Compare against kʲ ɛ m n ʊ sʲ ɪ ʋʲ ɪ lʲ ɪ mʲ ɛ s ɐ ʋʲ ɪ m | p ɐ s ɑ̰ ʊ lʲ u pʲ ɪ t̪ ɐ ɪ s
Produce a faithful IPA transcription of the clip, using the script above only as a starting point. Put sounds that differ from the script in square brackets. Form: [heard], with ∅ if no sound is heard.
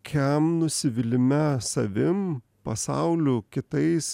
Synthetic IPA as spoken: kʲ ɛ m n ʊ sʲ ɪ ʋʲ ɪ lʲ ɪ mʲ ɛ s ɐ ʋʲ ɪ m | p ɐ s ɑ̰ ʊ lʲ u [kʲ] ɪ t̪ ɐ ɪ s